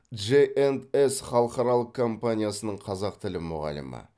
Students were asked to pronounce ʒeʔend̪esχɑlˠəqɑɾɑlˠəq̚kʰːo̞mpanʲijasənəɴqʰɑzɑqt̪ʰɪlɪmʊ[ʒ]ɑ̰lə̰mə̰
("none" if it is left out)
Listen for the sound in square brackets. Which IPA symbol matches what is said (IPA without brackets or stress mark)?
ʁ